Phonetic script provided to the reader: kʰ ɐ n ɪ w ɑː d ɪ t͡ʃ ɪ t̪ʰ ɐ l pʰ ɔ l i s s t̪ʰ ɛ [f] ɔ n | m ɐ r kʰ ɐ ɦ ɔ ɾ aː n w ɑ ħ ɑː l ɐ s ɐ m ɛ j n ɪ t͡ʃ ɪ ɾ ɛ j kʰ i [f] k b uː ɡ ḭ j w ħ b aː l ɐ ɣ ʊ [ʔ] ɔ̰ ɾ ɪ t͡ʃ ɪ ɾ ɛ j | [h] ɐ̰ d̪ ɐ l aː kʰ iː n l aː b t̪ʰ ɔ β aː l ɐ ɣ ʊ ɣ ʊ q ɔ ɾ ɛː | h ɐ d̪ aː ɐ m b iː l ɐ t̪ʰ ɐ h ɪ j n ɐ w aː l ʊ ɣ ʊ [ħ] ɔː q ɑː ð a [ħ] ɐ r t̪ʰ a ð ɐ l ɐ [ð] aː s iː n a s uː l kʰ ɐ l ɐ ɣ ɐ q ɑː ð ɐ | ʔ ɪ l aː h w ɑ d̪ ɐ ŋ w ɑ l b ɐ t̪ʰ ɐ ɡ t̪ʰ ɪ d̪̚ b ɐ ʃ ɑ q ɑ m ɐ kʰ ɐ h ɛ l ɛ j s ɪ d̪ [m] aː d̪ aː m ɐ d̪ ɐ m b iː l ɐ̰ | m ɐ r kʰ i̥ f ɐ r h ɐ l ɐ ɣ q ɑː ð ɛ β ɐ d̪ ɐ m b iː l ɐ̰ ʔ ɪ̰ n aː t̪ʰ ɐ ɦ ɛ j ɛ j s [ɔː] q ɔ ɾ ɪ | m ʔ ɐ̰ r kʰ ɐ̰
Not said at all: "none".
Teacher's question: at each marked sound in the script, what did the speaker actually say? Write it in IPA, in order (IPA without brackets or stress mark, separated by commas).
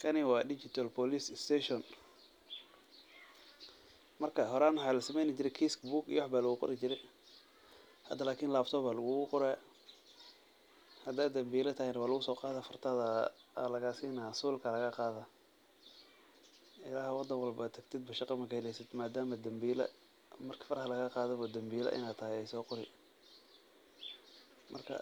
ʃ, s, q, h, s, f, ɣ, m, ɔː